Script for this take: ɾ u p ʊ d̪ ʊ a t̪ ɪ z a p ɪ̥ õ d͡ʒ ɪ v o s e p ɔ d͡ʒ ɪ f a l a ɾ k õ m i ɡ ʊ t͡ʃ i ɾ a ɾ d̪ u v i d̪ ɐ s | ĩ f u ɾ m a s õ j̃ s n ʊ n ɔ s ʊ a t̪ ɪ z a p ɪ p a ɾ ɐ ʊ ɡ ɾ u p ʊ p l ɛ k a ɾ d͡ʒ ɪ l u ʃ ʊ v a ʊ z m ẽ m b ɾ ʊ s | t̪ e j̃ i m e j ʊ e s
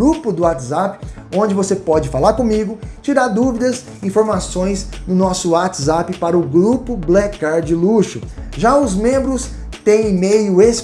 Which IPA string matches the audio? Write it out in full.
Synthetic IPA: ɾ u p ʊ d̪ ʊ a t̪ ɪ z a p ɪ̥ õ d͡ʒ ɪ v o s e p ɔ d͡ʒ ɪ f a l a ɾ k õ m i ɡ ʊ t͡ʃ i ɾ a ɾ d̪ u v i d̪ ɐ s | ĩ f o ɾ m a s õ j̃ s n ʊ n ɔ s ʊ a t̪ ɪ z a p ɪ p a ɾ ɐ ʊ ɡ ɾ u p ʊ b l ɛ k a ɾ d͡ʒ ɪ l u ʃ ʊ ʒ a ʊ z m ẽ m b ɾ ʊ s | t̪ ẽ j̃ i m e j ʊ e s